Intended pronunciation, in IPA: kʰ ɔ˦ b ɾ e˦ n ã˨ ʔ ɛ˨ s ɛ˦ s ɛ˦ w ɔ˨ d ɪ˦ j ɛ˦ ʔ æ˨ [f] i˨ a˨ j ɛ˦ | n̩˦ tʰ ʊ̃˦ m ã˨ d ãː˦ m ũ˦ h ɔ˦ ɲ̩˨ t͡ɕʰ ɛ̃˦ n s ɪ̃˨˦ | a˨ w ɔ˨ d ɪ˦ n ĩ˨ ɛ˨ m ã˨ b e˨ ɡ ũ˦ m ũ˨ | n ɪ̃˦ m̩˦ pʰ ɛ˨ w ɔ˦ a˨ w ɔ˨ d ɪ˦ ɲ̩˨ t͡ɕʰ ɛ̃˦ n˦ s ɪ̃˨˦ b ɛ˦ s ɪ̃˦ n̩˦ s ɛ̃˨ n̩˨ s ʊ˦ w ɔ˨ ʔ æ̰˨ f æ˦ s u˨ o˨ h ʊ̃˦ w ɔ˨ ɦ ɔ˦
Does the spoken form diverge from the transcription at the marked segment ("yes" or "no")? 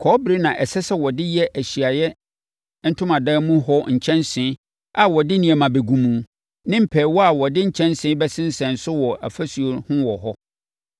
yes